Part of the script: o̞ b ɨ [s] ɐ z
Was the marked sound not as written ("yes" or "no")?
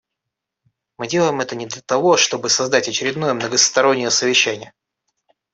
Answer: no